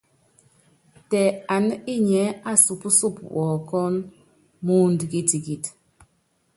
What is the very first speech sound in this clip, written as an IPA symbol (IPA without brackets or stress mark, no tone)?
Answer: t